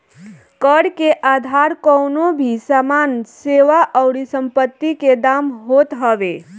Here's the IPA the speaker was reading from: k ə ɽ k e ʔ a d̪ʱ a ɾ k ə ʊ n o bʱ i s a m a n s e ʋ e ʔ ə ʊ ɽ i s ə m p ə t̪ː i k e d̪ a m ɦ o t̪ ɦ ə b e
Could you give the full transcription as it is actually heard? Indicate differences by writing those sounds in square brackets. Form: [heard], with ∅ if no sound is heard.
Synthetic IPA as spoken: k ə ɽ k e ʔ a d̪ʱ a ɾ k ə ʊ n o bʱ i s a m a n s e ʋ [a] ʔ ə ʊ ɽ i s ə m p ə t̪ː i k e d̪ a m ɦ o t̪ ɦ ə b e

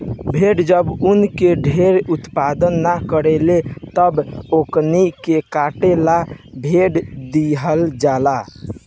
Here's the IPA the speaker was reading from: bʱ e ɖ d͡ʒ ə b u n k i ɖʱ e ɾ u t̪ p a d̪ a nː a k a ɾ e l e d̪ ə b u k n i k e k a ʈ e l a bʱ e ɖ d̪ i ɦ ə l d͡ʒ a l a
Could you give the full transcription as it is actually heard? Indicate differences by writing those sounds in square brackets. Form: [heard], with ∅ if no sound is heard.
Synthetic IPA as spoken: bʱ e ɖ d͡ʒ ə b u n k [e] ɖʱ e ɾ u t̪ p a d̪ [ə] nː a k [ə] ɾ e l e [t̪] ə b [o] k n i k e k a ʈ e l a bʱ e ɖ d̪ i ɦ ə l d͡ʒ a l a

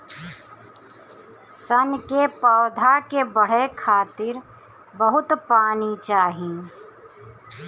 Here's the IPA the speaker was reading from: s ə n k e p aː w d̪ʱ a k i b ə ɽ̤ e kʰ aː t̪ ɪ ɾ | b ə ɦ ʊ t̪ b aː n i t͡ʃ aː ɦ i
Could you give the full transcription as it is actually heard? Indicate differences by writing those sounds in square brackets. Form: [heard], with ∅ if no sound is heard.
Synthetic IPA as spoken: s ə n k e p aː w d̪ʱ a k [e] b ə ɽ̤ e kʰ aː t̪ ɪ ɾ | b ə ɦ ʊ t̪ [p] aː n i t͡ʃ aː ɦ i

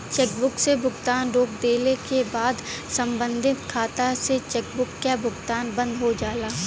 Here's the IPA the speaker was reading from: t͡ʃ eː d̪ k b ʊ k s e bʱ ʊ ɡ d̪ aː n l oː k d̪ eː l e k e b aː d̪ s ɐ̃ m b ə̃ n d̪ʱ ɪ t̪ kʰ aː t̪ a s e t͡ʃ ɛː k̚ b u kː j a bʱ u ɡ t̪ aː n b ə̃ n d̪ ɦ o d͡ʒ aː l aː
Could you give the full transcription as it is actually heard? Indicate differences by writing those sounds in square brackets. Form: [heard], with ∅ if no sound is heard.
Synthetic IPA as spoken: t͡ʃ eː [∅] k b ʊ k s e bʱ ʊ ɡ [t̪] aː n [ɾ] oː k d̪ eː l e k e b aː d̪ s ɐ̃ m b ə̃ n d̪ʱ ɪ t̪ kʰ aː t̪ a s e t͡ʃ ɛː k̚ b [ʊ] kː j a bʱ [ʊ] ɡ t̪ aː n b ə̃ n d̪ ɦ o d͡ʒ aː l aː

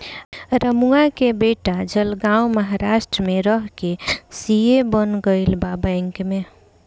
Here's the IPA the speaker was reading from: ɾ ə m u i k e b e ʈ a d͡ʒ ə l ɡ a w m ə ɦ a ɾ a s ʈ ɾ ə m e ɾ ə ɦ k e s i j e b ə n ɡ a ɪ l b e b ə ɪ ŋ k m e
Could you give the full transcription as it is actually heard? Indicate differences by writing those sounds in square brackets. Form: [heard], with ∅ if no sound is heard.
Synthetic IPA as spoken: ɾ ə m u [a] k e b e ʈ a d͡ʒ ə l ɡ a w m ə ɦ a ɾ a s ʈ ɾ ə m e ɾ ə ɦ k e s i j e b ə n ɡ [ə] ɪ l b [a] b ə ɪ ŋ k m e

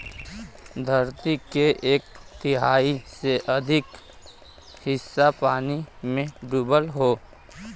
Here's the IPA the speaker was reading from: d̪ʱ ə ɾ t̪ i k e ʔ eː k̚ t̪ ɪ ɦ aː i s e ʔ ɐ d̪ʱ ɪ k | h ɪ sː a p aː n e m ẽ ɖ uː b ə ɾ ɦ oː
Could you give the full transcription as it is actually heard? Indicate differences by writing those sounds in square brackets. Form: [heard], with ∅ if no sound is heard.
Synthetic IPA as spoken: d̪ʱ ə ɾ t̪ i k e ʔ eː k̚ t̪ ɪ ɦ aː i s e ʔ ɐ d̪ʱ ɪ k | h ɪ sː a p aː n [i] m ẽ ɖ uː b ə [l] ɦ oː

